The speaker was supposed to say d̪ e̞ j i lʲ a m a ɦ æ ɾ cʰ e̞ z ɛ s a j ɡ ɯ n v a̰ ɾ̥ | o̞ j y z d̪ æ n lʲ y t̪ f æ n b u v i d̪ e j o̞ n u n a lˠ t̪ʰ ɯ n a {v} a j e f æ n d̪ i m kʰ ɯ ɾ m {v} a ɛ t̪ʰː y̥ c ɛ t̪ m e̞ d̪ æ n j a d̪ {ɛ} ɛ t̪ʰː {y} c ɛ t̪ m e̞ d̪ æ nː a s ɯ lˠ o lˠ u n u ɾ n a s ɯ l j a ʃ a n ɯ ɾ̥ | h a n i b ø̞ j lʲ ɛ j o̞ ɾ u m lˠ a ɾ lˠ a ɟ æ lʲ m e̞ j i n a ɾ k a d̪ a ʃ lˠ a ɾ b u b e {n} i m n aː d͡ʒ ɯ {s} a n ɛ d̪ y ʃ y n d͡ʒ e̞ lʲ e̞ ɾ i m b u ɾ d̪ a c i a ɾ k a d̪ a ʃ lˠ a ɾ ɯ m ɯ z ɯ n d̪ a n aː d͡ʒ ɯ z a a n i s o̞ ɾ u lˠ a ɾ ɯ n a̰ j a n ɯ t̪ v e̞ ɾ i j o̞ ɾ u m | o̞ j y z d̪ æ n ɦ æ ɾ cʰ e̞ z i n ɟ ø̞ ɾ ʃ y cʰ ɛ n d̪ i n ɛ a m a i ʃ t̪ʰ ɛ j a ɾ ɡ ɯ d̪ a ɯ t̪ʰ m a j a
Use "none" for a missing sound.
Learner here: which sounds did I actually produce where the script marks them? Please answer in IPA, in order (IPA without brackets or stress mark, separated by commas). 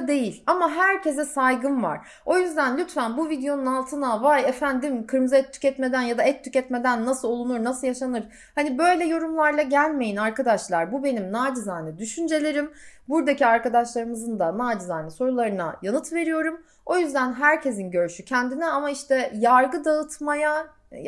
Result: v, z, a, y, n, z